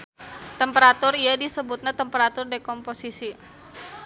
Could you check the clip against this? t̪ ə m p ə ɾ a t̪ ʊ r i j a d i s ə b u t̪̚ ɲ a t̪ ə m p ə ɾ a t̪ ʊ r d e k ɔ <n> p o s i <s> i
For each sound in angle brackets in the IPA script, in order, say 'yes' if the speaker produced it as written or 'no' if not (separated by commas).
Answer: no, yes